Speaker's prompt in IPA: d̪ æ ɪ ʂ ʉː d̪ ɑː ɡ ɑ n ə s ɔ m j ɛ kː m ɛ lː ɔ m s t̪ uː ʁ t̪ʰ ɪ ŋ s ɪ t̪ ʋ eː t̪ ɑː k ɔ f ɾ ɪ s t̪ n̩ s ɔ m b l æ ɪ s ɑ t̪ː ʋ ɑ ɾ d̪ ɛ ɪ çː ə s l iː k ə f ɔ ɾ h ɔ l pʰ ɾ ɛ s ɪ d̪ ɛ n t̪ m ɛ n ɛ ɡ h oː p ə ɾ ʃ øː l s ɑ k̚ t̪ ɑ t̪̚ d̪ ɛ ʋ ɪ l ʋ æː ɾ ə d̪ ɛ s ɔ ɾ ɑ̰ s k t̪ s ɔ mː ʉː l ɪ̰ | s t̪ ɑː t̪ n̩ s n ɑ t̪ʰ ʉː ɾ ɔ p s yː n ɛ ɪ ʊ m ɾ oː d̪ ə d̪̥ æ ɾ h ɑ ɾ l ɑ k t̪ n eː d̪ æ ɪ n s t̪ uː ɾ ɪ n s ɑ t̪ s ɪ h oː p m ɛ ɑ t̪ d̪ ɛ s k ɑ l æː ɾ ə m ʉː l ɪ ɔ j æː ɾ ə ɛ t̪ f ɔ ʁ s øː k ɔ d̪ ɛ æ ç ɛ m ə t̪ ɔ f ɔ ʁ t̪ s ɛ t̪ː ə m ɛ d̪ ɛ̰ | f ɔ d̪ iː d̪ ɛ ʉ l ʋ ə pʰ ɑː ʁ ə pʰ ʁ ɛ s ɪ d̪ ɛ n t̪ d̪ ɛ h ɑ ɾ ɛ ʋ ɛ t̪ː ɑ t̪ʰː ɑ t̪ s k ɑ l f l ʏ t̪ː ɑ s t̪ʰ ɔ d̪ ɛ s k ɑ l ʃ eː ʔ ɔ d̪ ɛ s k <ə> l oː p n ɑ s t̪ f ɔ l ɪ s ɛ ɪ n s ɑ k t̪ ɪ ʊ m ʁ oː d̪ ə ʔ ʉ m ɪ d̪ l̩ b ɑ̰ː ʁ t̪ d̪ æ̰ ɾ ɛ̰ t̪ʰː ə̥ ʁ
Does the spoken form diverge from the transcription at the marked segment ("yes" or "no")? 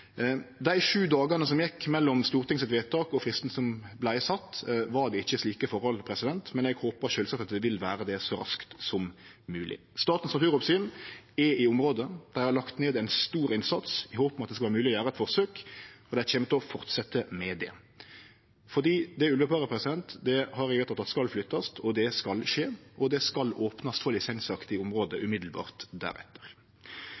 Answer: yes